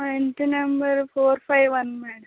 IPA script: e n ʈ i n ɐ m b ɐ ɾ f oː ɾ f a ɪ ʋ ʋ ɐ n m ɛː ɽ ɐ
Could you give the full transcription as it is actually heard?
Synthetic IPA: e n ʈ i n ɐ m b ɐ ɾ f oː ɾ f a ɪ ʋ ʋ ɐ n m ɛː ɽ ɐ